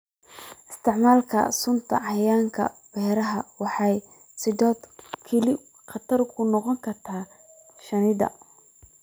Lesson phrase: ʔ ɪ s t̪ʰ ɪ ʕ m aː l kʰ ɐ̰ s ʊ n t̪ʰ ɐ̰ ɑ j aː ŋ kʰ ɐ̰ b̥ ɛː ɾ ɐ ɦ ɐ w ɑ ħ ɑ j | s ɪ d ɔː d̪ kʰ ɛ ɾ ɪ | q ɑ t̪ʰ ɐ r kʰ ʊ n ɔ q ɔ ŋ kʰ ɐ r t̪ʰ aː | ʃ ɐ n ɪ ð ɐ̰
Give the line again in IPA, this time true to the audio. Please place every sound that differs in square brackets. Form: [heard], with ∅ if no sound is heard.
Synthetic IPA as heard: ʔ ɪ s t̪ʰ ɪ ʕ m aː l kʰ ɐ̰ s ʊ n t̪ʰ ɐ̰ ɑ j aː ŋ kʰ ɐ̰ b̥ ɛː ɾ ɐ ɦ ɐ w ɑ ħ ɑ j | s ɪ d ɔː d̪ kʰ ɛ [l] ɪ | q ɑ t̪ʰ ɐ r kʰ ʊ n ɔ q ɔ ŋ kʰ ɐ r t̪ʰ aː | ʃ ɐ n ɪ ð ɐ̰